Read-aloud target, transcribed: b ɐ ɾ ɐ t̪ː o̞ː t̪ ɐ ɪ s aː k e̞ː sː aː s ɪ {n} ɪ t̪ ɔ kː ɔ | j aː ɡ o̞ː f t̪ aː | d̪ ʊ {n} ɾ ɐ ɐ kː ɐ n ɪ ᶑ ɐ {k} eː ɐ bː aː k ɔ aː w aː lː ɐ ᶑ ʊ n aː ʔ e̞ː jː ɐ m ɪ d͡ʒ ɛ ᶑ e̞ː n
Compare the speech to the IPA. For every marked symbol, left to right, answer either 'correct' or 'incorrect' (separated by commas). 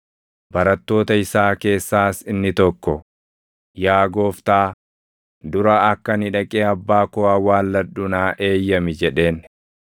incorrect, incorrect, incorrect